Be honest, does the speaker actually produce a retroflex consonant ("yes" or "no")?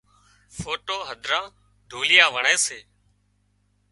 yes